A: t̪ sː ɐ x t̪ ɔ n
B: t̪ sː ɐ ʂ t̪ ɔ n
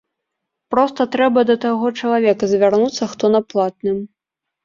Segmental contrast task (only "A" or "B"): A